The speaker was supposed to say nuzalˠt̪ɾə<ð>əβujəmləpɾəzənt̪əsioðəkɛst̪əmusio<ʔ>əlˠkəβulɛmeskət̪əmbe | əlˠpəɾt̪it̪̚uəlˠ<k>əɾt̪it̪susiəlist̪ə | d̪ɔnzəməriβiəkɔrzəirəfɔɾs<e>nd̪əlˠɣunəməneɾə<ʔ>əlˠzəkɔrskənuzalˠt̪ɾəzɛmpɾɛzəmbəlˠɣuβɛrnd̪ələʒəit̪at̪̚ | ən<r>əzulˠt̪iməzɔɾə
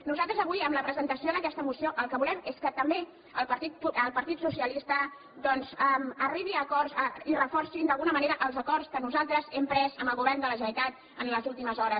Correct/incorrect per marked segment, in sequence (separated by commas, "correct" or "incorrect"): incorrect, correct, incorrect, incorrect, correct, incorrect